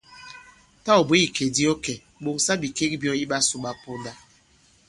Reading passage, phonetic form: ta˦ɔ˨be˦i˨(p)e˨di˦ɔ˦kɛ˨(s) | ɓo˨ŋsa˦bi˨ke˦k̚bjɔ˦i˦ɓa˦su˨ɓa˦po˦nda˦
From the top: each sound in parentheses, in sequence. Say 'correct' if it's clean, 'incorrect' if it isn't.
incorrect, incorrect

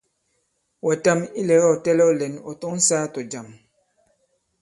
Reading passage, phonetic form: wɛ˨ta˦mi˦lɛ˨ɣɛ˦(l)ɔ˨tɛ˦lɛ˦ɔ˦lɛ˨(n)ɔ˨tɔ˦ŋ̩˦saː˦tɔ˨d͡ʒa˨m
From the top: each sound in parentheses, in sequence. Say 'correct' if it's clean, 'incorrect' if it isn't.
incorrect, correct

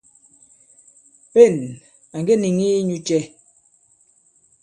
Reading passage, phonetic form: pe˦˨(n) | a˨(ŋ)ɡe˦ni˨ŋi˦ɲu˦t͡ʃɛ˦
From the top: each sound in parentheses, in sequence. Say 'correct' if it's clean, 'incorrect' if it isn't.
correct, correct

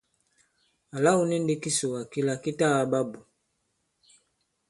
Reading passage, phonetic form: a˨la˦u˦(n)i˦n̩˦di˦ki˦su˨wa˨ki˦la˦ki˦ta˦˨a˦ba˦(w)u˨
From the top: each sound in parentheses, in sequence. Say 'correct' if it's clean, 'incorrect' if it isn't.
correct, incorrect

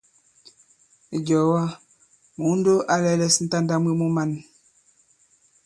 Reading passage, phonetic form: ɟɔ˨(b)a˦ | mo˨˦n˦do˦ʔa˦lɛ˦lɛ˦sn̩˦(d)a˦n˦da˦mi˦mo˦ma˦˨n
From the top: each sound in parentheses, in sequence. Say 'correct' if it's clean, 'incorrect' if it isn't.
incorrect, incorrect

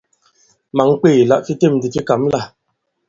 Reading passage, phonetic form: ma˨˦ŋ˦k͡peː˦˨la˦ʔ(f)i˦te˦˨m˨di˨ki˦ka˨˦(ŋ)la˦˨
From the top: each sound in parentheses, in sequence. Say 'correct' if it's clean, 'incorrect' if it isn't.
correct, incorrect

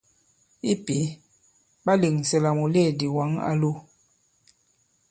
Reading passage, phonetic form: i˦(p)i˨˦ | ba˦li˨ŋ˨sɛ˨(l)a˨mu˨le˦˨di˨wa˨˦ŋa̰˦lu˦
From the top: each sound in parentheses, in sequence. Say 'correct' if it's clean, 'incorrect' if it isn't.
correct, correct

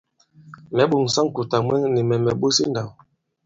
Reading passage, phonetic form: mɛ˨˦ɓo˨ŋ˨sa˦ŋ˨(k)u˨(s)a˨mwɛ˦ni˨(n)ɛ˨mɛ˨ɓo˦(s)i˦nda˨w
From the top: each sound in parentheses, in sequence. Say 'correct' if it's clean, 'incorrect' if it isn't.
correct, incorrect, incorrect, correct

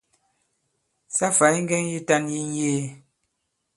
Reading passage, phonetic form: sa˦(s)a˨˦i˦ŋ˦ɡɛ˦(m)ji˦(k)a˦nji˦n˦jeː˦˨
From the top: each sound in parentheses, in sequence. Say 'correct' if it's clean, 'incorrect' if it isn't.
incorrect, incorrect, incorrect

